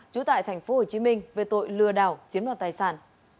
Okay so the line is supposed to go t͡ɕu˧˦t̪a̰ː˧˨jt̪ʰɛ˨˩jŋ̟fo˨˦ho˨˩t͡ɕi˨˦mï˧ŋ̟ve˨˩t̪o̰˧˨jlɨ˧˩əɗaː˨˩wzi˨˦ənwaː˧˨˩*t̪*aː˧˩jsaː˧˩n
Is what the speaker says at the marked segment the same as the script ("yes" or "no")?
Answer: yes